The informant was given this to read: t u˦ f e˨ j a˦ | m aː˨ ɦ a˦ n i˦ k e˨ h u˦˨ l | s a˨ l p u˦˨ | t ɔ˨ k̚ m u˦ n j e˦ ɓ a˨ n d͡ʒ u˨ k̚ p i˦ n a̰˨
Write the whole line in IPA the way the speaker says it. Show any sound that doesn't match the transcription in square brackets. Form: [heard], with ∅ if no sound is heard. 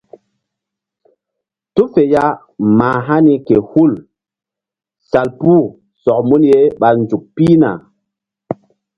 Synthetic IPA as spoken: t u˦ f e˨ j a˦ | m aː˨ ɦ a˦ n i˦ k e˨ h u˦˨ l | s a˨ l p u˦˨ | [s] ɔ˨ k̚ m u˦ n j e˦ ɓ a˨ n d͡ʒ u˨ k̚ p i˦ n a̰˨